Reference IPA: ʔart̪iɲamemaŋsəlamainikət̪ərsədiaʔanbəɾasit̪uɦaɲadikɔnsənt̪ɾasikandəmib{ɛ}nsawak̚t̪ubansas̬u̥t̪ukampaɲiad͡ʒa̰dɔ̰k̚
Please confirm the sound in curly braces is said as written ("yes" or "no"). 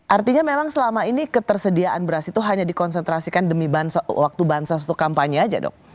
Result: no